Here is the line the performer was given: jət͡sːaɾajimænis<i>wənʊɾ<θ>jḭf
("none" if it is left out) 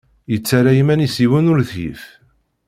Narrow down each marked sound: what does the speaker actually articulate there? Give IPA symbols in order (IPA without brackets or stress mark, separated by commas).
i, θ